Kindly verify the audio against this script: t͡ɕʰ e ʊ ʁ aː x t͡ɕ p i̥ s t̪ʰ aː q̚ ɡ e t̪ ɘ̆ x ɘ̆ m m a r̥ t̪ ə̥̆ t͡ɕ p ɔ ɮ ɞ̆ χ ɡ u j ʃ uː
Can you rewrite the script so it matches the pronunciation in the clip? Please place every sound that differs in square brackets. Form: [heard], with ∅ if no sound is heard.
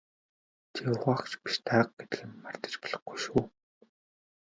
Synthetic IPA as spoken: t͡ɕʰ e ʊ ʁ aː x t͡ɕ p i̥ [ʃ] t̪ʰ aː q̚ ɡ e t̪ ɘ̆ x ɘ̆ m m a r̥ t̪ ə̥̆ t͡ɕ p ɔ ɮ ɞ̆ χ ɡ u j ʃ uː